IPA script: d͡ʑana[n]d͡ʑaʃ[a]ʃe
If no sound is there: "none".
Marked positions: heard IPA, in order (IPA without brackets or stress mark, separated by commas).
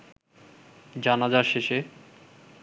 none, e